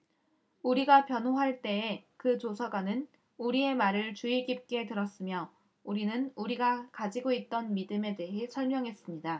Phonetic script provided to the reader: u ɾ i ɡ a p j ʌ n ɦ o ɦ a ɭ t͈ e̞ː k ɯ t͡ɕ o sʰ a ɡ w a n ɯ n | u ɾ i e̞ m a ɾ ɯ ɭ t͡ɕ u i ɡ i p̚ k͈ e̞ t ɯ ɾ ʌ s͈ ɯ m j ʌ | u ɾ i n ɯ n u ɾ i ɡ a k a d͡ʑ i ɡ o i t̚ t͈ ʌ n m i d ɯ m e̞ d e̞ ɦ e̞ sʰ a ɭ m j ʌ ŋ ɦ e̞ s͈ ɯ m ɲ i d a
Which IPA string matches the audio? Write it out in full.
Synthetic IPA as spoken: u ɾ i ɡ a p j ʌ n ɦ o ɦ a ɭ t͈ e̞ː k ɯ t͡ɕ o sʰ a ɡ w a n ɯ n | u ɾ i e̞ m a ɾ ɯ ɭ t͡ɕ u i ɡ i p̚ k͈ e̞ t ɯ ɾ ʌ s͈ ɯ m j ʌ | u ɾ i n ɯ n u ɾ i ɡ a k a d͡ʑ i ɡ o i t̚ t͈ ʌ n m i d ɯ m e̞ d e̞ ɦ e̞ sʰ ʌ ɭ m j ʌ ŋ ɦ e̞ s͈ ɯ m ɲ i d a

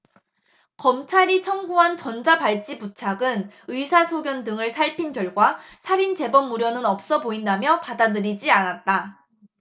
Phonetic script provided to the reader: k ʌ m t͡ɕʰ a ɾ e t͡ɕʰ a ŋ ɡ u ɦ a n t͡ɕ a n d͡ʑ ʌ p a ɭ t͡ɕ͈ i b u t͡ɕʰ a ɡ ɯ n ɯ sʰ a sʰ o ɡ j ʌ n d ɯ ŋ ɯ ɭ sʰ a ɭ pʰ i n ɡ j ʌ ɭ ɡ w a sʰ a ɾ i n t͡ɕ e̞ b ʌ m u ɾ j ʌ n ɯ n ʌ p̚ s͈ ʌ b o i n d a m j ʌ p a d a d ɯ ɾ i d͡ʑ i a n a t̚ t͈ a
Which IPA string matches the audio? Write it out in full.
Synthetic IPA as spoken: k ʌ m t͡ɕʰ a ɾ i t͡ɕʰ ʌ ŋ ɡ u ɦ a n t͡ɕ ʌ n d͡ʑ a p a ɭ t͡ɕ͈ i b u t͡ɕʰ a ɡ ɯ n ɯ sʰ a sʰ o ɡ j ʌ n d ɯ ŋ ɯ ɭ sʰ a ɭ pʰ i n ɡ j ʌ ɭ ɡ w a sʰ a ɾ i n t͡ɕ e̞ b ʌ m u ɾ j ʌ n ɯ n ʌ p̚ s͈ ʌ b o i n d a m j ʌ p a d a d ɯ ɾ i d͡ʑ i a n a t̚ t͈ a

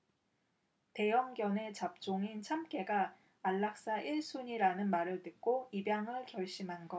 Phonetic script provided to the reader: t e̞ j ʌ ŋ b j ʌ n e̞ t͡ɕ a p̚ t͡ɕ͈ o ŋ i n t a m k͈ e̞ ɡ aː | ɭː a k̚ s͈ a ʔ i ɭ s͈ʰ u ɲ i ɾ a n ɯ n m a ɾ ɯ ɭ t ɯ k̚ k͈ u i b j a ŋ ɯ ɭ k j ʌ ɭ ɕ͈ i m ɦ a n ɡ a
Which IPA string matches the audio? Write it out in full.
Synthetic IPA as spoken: t e̞ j ʌ ŋ ɡ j ʌ n e̞ t͡ɕ a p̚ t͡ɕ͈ o ŋ i n t͡ɕʰ a m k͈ e̞ ɡ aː | ɭː a k̚ s͈ a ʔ i ɭ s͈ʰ u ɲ i ɾ a n ɯ n m a ɾ ɯ ɭ t ɯ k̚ k͈ o i b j a ŋ ɯ ɭ k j ʌ ɭ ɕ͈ i m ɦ a n ɡ ʌ

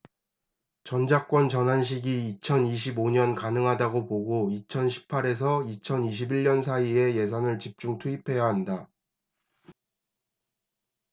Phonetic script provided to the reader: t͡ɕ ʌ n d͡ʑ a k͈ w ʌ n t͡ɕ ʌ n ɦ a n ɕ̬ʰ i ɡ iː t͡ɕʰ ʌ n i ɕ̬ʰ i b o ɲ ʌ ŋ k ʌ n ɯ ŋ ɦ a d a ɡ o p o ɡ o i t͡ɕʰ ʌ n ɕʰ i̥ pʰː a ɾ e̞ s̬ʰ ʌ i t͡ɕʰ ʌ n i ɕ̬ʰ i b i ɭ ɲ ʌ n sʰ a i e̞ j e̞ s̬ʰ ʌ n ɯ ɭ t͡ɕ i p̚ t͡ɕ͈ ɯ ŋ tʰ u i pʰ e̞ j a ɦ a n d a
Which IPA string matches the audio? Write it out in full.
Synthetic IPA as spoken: t͡ɕ ʌ n d͡ʑ a k͈ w ʌ n t͡ɕ ʌ n ɦ a n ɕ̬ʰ i ɡ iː t͡ɕʰ ʌ n i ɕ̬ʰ i b o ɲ ʌ n k a n ɯ ŋ ɦ a d a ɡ o p o ɡ o i t͡ɕʰ ʌ n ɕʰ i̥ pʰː a ɾ e̞ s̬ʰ ʌ i t͡ɕʰ ʌ n i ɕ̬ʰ i b i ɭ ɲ ʌ n sʰ a i e̞ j e̞ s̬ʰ a n ɯ ɭ t͡ɕ i p̚ t͡ɕ͈ u ŋ tʰ u i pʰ e̞ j a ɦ a n d a

